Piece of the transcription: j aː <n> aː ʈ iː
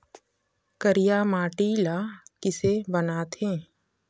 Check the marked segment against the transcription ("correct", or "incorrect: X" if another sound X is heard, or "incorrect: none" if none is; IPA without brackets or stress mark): incorrect: m